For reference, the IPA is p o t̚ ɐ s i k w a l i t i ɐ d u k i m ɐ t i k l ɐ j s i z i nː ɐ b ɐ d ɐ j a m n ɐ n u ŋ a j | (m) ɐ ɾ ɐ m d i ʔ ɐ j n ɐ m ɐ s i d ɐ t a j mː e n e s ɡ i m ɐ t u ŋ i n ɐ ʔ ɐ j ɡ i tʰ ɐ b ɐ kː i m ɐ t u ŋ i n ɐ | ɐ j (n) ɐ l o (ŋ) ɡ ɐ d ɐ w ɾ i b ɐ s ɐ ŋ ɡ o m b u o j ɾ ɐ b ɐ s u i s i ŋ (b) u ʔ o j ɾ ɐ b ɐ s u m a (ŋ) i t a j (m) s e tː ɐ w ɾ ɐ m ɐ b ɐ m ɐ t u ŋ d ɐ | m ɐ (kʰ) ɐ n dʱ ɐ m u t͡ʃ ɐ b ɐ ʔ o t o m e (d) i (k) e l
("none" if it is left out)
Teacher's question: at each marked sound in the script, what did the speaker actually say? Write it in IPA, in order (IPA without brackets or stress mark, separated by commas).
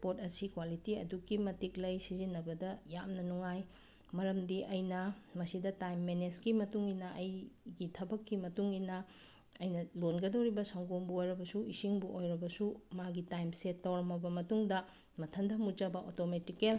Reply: m, n, n, b, ɡ, m, tʰ, t, k